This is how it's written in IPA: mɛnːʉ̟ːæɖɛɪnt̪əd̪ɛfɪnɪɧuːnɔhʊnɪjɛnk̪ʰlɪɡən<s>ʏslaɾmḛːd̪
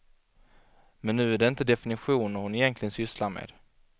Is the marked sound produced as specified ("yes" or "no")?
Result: yes